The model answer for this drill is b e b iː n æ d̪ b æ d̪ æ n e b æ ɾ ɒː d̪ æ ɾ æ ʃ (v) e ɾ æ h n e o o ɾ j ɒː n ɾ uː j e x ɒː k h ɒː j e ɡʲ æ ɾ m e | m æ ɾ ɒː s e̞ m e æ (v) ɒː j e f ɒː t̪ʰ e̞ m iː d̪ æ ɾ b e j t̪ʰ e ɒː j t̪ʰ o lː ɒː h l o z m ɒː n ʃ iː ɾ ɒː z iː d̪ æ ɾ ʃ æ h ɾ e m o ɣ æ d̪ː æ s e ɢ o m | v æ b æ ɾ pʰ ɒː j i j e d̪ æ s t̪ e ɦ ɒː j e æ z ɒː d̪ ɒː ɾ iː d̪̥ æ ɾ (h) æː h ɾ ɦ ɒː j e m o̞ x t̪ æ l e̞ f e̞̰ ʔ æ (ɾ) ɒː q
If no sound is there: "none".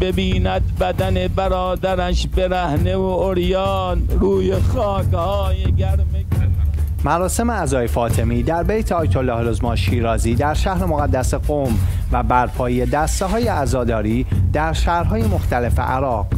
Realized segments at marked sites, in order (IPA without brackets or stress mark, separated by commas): b, z, ʃ, ɾ